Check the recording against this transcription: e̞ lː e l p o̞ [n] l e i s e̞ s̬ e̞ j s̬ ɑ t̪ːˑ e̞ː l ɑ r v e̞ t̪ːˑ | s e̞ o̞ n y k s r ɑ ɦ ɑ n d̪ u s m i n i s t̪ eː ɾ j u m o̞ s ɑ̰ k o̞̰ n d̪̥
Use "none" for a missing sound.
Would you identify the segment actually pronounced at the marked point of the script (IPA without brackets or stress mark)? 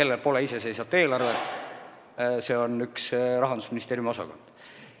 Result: none